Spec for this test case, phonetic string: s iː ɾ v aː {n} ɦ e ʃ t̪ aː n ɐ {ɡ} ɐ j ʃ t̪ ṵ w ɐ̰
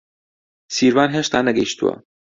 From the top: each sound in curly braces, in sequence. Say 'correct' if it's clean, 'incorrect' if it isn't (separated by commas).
correct, correct